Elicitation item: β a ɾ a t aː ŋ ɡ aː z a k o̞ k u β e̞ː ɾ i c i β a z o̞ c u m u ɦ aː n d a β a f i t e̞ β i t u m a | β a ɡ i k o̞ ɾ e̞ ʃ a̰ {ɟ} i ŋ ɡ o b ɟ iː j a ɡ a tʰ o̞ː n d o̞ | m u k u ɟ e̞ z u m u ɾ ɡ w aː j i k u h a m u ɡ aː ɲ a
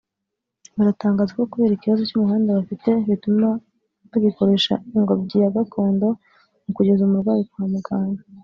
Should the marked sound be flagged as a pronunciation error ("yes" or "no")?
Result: yes